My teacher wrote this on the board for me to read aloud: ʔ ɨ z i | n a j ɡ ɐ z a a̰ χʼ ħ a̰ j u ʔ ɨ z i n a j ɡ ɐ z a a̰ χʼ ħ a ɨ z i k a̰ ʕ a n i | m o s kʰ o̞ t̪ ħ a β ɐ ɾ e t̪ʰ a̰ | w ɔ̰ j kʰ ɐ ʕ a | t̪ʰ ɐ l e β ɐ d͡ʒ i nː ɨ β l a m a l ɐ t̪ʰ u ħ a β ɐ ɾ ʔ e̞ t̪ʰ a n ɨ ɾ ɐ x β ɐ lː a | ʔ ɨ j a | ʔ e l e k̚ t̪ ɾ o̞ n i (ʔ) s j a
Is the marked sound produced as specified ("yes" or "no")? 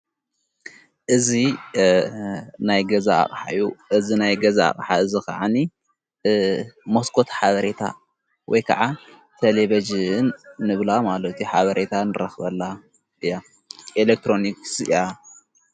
no